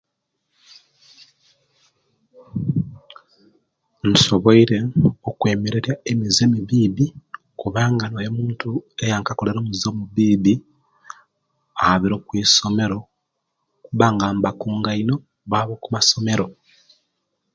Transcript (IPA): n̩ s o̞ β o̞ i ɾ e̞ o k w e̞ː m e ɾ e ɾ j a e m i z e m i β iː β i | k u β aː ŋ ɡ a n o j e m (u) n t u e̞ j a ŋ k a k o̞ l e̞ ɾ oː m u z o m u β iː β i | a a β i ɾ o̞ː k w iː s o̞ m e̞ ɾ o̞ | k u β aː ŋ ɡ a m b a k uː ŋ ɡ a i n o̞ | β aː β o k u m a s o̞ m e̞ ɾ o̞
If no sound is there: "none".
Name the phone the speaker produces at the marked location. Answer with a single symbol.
uː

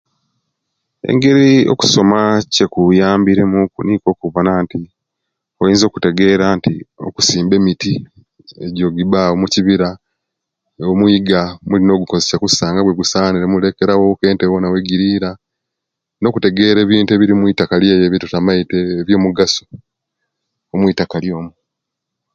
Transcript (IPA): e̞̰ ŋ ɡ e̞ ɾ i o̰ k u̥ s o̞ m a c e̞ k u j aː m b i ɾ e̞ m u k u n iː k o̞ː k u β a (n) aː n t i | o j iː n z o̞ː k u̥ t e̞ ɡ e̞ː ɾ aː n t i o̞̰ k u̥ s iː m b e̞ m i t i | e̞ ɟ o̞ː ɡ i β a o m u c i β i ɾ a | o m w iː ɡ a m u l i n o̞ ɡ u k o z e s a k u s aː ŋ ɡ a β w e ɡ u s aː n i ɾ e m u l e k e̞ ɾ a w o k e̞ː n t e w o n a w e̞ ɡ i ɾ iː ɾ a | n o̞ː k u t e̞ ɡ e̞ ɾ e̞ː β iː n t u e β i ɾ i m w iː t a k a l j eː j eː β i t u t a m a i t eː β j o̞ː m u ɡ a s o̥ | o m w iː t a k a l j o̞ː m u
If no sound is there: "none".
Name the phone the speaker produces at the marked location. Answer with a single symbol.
n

